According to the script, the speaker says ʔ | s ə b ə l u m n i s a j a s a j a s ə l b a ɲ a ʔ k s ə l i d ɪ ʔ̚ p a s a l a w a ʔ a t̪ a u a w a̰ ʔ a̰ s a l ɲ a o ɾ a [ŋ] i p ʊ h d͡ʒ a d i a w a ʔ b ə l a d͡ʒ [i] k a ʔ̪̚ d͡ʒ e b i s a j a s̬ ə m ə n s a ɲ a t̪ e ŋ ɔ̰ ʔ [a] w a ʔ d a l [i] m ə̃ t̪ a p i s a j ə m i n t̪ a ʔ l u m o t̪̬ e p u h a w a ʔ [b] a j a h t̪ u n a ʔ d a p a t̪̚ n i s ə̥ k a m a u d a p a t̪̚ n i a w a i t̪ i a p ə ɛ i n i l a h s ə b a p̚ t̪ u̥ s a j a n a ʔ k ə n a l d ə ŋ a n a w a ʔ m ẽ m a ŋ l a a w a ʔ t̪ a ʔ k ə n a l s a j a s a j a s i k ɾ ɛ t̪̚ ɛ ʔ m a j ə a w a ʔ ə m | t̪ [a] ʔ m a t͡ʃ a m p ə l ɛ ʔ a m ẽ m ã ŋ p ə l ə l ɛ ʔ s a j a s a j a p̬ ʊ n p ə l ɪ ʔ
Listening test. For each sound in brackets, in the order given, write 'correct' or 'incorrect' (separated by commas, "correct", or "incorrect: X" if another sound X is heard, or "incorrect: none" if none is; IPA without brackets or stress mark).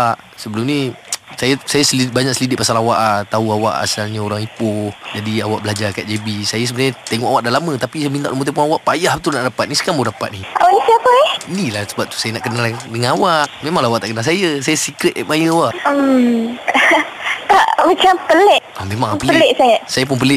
correct, incorrect: a, correct, incorrect: a, incorrect: p, correct